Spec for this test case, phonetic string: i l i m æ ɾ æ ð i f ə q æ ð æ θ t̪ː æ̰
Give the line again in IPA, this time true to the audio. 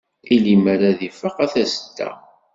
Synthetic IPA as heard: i l i m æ ɾ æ ð i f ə q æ θ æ s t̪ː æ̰